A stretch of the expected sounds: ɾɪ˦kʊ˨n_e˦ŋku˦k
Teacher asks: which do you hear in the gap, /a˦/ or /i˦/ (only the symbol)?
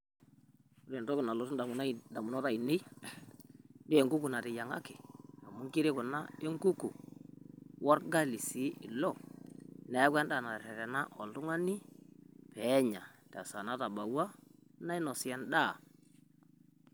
a˦